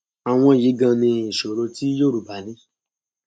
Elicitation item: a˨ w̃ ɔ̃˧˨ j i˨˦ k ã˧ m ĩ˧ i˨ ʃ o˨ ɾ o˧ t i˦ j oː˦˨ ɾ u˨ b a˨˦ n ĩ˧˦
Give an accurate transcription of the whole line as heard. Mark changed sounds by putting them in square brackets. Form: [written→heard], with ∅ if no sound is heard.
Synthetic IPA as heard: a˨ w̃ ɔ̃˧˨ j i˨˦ [k→ɡ] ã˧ [m→n] ĩ˧ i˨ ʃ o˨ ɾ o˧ t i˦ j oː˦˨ ɾ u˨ b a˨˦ n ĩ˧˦